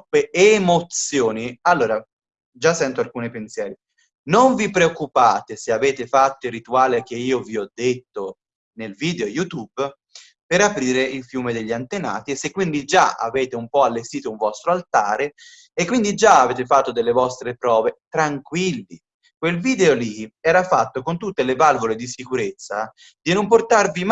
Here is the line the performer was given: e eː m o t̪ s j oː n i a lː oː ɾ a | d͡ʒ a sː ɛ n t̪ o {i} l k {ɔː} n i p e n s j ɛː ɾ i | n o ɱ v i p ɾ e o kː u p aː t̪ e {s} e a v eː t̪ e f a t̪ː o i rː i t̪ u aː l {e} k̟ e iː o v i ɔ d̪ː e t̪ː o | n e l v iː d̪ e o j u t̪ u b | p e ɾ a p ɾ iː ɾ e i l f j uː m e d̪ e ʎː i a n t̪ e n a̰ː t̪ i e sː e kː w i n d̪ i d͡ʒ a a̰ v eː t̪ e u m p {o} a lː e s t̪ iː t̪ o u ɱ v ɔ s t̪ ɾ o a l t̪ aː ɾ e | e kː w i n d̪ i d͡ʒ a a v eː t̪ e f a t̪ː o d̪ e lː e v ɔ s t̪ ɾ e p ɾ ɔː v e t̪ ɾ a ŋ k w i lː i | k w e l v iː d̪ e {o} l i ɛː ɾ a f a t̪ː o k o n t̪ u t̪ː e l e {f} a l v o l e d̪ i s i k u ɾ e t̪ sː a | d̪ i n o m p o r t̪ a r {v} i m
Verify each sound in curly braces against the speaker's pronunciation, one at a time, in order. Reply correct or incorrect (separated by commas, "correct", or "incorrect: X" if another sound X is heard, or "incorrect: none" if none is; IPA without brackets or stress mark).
incorrect: a, incorrect: uː, correct, correct, incorrect: ɔ, correct, incorrect: v, correct